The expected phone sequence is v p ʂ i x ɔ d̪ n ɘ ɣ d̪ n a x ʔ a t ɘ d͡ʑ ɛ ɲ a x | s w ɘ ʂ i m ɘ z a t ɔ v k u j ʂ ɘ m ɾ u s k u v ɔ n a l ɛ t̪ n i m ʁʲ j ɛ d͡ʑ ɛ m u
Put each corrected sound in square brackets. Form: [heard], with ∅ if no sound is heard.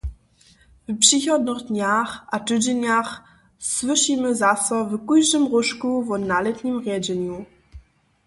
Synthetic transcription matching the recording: v p ʂ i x ɔ d̪ n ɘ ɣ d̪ [ɲ] a x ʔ a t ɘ d͡ʑ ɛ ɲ a x | s w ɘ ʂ i m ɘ z a [s] ɔ v k u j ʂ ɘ m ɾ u [ʂ] k u v ɔ n a l ɛ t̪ [ɲ] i m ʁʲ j ɛ d͡ʑ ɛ [ɲ] u